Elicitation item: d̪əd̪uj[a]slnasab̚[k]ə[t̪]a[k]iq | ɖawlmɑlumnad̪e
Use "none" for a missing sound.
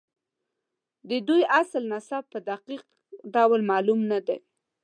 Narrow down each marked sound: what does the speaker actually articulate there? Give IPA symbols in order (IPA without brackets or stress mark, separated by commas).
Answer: a, p, d̪, q